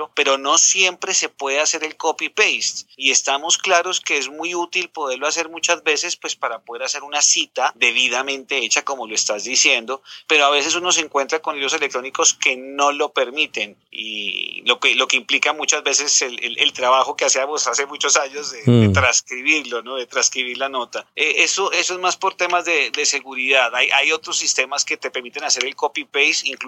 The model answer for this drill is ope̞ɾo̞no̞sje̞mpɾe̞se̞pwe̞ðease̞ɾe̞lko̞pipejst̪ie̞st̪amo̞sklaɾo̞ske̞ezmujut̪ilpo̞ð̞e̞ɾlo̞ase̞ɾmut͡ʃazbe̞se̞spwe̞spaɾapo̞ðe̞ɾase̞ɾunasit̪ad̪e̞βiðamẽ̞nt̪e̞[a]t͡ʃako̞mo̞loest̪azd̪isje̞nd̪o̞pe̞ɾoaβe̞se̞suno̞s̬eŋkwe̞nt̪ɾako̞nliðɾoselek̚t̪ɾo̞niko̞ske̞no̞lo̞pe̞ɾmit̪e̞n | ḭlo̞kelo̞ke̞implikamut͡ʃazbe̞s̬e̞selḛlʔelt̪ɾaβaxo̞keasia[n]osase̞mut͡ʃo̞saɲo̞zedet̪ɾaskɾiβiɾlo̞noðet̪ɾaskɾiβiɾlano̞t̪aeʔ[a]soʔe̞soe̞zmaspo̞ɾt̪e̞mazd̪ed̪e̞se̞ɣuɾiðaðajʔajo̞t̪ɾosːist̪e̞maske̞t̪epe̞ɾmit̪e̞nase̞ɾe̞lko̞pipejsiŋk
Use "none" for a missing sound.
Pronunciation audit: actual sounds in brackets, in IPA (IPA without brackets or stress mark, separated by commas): e, m, e